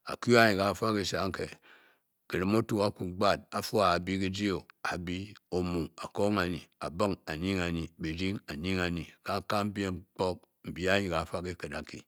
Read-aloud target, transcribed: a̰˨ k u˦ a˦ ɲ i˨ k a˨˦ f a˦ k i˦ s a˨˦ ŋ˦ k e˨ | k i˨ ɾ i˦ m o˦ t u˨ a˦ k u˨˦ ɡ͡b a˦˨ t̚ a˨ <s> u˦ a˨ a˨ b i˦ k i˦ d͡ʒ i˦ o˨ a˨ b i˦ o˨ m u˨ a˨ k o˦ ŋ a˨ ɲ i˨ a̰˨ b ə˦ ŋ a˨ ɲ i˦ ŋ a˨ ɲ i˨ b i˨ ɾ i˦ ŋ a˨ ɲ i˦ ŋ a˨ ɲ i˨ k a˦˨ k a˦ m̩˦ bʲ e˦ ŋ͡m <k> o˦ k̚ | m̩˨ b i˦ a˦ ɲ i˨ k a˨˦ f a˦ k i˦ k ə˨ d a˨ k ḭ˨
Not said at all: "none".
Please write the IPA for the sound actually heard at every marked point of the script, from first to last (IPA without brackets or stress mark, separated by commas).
f, k͡p